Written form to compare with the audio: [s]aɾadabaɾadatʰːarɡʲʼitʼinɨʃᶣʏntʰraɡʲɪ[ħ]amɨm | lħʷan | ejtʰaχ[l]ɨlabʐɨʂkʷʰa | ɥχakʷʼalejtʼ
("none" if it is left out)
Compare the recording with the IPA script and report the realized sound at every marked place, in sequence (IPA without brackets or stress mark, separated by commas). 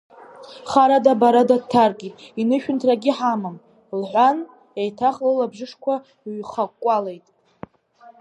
χ, ħ, l